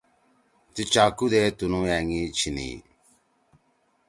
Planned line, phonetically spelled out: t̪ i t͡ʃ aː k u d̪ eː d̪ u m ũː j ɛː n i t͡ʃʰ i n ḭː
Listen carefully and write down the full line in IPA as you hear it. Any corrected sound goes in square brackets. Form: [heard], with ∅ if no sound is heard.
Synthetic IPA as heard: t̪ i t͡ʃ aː k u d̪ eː [t̪] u [n] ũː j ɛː [ŋ] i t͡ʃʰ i n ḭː